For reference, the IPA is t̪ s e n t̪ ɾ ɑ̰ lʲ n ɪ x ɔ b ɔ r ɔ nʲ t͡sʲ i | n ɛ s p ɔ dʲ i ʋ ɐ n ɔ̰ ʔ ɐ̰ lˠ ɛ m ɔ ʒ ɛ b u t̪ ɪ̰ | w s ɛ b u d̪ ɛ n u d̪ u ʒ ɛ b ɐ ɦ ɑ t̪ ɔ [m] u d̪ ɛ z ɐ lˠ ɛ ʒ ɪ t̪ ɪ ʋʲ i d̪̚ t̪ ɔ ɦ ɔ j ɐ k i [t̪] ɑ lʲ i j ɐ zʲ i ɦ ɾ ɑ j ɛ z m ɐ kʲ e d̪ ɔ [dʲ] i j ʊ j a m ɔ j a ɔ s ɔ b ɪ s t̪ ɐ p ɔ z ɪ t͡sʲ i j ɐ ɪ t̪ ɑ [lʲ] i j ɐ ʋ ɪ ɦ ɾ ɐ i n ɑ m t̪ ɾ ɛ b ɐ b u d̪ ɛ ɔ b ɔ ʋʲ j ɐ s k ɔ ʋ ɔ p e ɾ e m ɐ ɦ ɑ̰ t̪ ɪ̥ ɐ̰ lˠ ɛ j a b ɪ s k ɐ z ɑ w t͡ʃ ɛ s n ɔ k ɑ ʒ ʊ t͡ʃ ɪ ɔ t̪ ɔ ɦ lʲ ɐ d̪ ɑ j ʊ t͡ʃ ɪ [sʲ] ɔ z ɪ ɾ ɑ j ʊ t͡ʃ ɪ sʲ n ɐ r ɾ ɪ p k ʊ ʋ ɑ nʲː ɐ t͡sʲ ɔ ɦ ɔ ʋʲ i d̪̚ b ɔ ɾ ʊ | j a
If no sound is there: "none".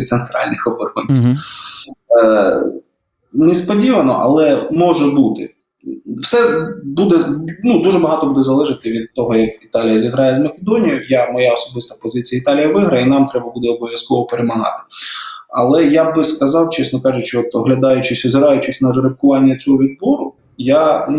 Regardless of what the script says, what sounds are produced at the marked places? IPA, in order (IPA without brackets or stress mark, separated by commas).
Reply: b, t̪, nʲ, lʲ, sʲ